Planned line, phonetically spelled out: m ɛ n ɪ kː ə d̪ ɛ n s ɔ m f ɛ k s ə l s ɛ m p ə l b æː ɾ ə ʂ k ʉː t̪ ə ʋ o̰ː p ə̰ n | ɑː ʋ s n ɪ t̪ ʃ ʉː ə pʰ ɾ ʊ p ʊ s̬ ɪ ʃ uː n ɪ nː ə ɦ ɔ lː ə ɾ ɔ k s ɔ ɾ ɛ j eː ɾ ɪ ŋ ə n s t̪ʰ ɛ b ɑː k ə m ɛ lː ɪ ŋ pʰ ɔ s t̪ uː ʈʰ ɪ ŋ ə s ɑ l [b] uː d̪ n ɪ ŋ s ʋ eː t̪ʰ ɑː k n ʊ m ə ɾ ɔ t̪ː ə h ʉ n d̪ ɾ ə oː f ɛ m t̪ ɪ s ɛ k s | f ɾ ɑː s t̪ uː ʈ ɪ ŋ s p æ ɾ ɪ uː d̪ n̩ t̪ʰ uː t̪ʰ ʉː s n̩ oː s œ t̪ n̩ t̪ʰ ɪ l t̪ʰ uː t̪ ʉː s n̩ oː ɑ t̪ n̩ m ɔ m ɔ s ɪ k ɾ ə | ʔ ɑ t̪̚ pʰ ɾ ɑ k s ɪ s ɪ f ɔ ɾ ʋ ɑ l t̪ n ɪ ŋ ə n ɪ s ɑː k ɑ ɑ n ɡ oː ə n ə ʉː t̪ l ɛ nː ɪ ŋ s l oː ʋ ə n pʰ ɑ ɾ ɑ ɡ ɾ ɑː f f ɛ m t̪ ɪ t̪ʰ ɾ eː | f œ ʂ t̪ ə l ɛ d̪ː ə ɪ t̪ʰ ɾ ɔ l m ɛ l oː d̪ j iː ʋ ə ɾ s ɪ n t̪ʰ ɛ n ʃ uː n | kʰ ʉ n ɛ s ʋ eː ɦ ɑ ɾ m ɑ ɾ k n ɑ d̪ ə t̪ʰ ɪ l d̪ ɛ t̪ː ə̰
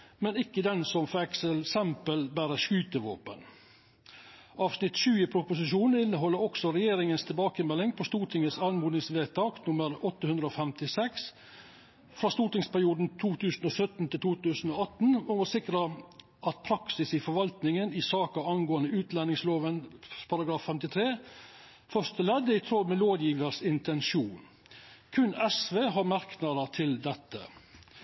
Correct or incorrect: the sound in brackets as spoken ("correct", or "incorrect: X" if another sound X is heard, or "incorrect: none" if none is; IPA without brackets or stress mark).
incorrect: m